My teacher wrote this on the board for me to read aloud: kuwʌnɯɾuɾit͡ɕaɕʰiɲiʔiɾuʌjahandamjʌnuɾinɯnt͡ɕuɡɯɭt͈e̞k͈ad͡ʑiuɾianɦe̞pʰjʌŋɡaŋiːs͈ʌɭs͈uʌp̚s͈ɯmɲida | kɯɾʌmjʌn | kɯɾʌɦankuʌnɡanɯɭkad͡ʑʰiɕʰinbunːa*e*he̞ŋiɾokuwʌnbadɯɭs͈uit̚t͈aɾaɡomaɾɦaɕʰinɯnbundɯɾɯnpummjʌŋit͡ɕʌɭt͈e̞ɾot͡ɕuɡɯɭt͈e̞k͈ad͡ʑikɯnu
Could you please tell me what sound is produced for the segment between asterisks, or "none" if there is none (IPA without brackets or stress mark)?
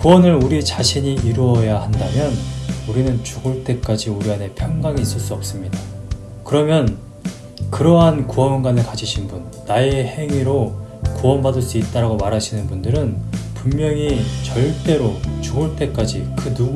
e